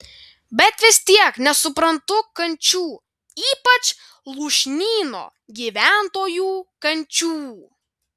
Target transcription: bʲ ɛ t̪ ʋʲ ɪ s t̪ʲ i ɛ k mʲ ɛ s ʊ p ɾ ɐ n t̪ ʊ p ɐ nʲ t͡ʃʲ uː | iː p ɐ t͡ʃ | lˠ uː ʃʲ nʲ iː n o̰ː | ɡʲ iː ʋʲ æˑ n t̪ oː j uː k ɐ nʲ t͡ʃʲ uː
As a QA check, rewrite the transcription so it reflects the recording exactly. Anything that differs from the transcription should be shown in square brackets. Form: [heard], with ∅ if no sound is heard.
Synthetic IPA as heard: bʲ ɛ t̪ ʋʲ ɪ s t̪ʲ i ɛ k [nʲ] ɛ s ʊ p ɾ ɐ n t̪ ʊ [k] ɐ nʲ t͡ʃʲ uː | iː p ɐ t͡ʃ | lˠ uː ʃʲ nʲ iː n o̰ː | ɡʲ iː ʋʲ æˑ n t̪ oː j uː k ɐ nʲ t͡ʃʲ uː